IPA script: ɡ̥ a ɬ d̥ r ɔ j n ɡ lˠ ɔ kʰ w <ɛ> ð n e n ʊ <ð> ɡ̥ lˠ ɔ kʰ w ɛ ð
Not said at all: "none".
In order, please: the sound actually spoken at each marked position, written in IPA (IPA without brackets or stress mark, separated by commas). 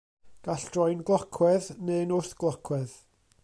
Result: ɛ, θ